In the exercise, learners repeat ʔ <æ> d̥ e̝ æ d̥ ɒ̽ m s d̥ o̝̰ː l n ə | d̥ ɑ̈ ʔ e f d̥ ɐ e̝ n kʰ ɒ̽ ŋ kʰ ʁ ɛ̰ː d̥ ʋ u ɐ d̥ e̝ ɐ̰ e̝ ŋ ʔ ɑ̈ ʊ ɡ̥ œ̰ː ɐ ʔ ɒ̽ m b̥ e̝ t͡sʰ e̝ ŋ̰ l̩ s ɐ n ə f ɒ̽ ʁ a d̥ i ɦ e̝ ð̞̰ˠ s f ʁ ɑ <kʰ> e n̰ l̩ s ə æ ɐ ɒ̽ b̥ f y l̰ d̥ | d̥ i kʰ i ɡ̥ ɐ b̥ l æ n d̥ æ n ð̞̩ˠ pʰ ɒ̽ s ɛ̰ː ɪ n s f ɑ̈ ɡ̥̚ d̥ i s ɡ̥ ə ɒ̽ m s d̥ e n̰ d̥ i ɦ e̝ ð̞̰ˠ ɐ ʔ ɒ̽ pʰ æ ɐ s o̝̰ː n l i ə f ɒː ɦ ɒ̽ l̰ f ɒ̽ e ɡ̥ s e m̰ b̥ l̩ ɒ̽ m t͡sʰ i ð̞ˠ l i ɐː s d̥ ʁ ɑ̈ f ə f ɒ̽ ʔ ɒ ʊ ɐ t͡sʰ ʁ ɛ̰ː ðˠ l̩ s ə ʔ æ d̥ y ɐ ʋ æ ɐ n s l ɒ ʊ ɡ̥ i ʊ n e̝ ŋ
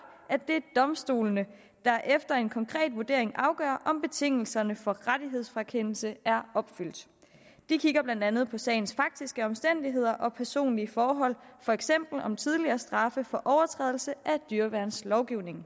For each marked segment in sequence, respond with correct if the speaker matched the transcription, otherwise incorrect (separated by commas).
correct, correct